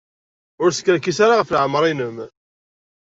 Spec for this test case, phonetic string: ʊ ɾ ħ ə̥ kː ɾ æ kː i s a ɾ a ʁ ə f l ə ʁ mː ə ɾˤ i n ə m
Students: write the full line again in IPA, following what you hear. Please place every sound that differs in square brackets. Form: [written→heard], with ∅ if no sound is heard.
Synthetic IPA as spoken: ʊ ɾ [ħ→s] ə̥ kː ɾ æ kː i s a ɾ a ʁ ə f l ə [ʁ→ʕ] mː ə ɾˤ i n ə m